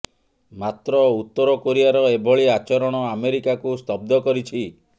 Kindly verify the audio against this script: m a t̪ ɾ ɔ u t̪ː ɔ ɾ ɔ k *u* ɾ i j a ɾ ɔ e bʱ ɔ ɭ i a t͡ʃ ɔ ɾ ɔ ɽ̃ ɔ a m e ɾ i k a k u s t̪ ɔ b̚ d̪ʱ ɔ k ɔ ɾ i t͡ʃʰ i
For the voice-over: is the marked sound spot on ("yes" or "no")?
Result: no